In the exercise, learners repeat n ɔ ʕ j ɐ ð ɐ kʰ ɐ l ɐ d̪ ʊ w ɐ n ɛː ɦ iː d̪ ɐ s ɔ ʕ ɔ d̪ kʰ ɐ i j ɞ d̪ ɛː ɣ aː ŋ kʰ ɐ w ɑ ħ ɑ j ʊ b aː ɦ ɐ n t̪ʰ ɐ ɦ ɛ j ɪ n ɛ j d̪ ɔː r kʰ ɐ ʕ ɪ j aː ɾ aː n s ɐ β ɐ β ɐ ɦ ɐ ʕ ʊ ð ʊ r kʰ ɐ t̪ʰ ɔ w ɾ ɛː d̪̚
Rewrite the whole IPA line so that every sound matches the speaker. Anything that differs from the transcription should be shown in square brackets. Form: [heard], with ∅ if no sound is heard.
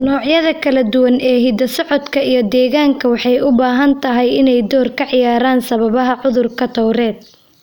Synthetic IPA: n [ɔː] ʕ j ɐ ð ɐ kʰ ɐ l ɐ d̪ ʊ w ɐ n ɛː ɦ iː d̪ ɐ s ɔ ʕ ɔ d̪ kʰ ɐ i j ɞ d̪ ɛː ɣ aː ŋ kʰ ɐ w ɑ ħ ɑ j ʊ b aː ɦ ɐ n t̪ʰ ɐ ɦ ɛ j ɪ n ɛ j d̪ ɔː r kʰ ɐ ʕ ɪ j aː ɾ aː n s ɐ β ɐ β ɐ ɦ ɐ ʕ ʊ ð ʊ r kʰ ɐ t̪ʰ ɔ w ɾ ɛː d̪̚

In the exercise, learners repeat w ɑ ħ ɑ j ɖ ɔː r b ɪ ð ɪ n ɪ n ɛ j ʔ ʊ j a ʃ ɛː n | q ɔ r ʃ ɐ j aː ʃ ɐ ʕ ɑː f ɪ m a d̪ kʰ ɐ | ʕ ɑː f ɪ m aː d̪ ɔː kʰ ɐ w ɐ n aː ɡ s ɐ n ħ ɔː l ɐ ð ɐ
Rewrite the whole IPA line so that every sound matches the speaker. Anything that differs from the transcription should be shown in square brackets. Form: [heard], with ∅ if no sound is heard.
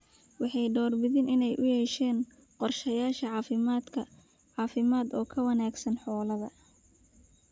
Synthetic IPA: w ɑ ħ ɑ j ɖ ɔː r b ɪ ð ɪ n ɪ n ɛ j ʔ ʊ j [ɛ] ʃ ɛː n | q ɔ r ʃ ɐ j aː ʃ ɐ ʕ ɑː f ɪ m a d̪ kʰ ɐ | ʕ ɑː f ɪ m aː d̪ ɔː kʰ ɐ w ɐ n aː ɡ s ɐ n ħ ɔː l ɐ ð ɐ

